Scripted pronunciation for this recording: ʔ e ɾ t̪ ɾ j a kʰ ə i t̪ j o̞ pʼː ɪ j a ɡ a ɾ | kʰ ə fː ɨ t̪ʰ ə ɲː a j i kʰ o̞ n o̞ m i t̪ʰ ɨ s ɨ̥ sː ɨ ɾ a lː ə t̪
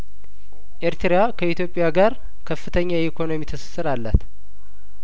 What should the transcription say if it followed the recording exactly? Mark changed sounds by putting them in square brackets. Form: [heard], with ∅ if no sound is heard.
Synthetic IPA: ʔ e ɾ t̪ ɾ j a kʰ ə i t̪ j o̞ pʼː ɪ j a ɡ a ɾ | kʰ ə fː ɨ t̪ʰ ə ɲː a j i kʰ o̞ n o̞ m i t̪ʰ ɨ s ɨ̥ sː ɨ ɾ a lː ə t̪